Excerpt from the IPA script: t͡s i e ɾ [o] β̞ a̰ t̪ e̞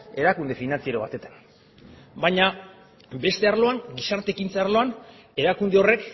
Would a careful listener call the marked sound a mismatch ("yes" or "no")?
no